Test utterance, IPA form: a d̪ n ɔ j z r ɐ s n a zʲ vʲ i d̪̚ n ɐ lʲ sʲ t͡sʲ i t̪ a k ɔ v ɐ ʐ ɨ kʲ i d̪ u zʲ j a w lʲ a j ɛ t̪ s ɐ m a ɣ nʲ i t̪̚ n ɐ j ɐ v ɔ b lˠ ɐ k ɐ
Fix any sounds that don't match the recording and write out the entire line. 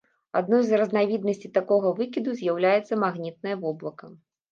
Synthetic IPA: a d̪ n ɔ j z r ɐ z n a vʲ i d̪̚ n ɐ sʲ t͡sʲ i t̪ a k ɔ ɣ ɐ v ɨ kʲ i d̪ u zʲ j a w lʲ a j ɛ t̪ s ɐ m a ɣ nʲ i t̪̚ n ɐ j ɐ v ɔ b lˠ ɐ k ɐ